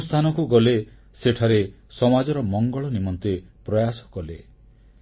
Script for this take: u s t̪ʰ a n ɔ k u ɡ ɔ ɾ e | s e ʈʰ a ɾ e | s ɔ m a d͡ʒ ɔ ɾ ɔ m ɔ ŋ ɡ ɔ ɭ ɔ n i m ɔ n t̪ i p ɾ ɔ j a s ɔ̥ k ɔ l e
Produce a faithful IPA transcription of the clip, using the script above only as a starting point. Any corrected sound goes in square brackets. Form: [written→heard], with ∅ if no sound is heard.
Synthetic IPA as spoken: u s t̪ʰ a n ɔ k u ɡ ɔ [ɾ→l] e | s e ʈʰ a ɾ e | s ɔ m a d͡ʒ ɔ ɾ ɔ m ɔ ŋ ɡ ɔ ɭ ɔ n i m ɔ n t̪ [i→e] p ɾ ɔ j a s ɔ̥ k ɔ l e